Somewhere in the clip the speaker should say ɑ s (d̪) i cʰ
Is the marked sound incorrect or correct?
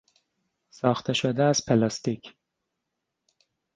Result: incorrect